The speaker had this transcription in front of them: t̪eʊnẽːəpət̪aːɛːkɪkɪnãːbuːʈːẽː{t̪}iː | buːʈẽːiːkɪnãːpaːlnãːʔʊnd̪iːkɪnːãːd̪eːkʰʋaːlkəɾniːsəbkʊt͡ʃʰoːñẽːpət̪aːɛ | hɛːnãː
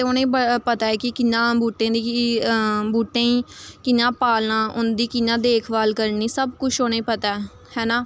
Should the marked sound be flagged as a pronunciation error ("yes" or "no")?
yes